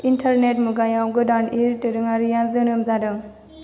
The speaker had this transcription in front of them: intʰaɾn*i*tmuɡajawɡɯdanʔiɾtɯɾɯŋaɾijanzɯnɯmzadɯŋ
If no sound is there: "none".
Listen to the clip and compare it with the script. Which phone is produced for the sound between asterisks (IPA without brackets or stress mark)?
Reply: e